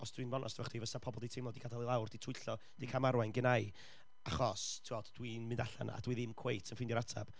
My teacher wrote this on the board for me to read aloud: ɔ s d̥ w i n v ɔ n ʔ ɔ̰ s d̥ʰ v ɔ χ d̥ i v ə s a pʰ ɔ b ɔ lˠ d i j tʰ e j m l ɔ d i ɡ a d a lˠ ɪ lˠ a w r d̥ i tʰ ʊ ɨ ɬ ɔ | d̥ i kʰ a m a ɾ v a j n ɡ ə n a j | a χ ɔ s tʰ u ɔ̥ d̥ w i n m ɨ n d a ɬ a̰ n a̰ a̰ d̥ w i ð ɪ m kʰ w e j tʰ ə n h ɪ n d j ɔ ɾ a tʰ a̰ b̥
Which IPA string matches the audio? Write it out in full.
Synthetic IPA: ɔ s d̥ w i n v ɔ n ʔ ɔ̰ s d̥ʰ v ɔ χ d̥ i v ə s a pʰ ɔ b ɔ lˠ d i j tʰ e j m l ɔ d i ɡ a d a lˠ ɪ lˠ a w r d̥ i tʰ ʊ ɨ ɬ ɔ | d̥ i kʰ a m a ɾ w a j n ɡ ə n a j | a χ ɔ s tʰ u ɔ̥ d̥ w i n m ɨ n d a ɬ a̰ n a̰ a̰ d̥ w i ð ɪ m kʰ w e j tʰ ə n f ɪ n d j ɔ ɾ a tʰ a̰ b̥